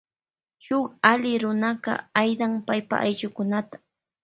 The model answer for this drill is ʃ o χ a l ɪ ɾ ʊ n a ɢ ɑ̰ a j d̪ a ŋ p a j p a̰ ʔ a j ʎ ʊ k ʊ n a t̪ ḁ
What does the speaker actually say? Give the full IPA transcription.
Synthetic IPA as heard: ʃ o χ a l ɪ ɾ ʊ n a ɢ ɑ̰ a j d̪ a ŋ p a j p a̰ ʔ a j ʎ ʊ k ʊ n a t̪ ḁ